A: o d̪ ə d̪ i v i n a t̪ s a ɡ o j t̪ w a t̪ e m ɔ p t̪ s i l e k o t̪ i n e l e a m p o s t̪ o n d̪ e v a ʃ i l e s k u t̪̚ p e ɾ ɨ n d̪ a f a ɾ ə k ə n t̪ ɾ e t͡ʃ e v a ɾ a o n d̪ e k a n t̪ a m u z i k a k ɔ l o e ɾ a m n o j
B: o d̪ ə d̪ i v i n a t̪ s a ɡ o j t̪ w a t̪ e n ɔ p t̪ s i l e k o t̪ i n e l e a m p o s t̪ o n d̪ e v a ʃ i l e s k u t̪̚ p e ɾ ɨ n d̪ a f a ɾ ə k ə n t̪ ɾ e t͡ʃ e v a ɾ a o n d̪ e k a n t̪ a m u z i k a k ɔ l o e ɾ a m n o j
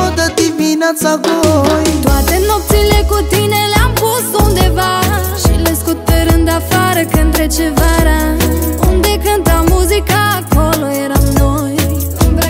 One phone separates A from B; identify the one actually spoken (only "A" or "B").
B